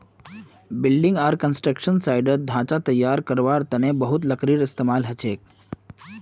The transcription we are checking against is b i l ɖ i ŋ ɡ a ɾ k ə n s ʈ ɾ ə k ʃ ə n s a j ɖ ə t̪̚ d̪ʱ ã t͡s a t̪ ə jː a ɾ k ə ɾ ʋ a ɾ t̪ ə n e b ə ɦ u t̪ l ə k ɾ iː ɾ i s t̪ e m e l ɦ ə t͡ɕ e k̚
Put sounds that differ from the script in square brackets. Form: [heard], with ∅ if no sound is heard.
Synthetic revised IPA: b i l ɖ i ŋ ɡ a ɾ k ə n s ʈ ɾ ə k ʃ ə n s a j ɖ ə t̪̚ d̪ʱ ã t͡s a t̪ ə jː a ɾ k ə ɾ ʋ a ɾ t̪ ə n e b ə ɦ u t̪ l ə k ɾ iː ɾ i s t̪ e m [a] l ɦ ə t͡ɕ e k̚